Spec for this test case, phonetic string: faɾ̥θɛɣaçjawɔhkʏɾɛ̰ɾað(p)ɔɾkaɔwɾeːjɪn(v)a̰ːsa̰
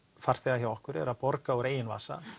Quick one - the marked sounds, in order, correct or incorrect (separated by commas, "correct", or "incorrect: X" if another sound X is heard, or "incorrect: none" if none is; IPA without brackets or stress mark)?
correct, correct